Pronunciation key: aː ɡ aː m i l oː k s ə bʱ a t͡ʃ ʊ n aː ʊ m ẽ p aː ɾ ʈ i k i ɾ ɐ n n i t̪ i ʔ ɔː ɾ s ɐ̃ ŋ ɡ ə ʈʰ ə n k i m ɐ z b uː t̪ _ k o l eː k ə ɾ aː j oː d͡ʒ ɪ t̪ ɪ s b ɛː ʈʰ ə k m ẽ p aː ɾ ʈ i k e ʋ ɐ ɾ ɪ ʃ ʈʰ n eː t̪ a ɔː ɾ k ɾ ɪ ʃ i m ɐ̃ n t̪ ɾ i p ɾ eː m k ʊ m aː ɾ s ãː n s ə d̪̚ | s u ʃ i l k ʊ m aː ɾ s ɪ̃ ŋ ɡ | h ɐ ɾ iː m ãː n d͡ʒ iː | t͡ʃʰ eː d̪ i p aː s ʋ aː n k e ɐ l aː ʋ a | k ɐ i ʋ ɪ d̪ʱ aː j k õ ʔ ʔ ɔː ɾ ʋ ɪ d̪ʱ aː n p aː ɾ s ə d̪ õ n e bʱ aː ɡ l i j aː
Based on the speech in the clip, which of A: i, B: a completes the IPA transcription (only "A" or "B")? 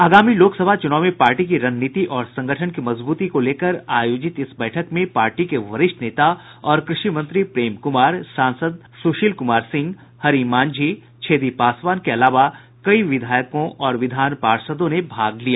A